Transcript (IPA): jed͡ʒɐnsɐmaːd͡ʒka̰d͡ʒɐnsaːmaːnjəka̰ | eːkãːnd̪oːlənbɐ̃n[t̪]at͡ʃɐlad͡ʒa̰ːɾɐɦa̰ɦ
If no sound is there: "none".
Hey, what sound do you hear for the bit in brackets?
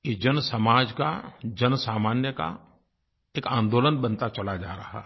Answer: t̪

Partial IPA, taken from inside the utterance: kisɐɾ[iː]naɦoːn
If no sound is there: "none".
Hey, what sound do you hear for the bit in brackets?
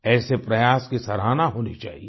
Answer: aː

